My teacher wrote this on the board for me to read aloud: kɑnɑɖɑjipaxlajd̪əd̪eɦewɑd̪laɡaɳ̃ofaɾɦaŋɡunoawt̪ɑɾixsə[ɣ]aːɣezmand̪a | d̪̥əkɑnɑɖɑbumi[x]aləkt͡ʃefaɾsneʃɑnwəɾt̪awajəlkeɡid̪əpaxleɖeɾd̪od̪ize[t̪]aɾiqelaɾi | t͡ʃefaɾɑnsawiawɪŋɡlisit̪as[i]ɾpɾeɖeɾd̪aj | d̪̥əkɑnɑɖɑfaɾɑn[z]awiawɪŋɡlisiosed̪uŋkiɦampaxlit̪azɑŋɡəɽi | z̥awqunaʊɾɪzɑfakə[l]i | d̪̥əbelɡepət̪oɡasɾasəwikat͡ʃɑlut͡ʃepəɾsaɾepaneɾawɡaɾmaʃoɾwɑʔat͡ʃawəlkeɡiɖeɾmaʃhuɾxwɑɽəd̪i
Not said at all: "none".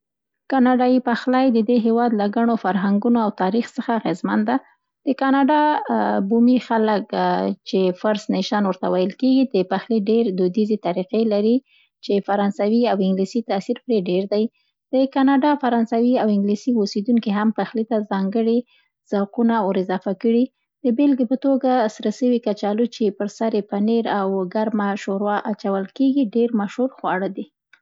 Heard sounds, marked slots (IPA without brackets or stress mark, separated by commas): x, x, t̪, i, s, ɽ